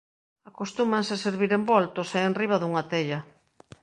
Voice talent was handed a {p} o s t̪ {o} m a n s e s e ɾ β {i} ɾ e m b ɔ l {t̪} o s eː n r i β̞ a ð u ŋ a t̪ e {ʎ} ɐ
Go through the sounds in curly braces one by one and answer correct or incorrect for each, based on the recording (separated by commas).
incorrect, incorrect, correct, correct, correct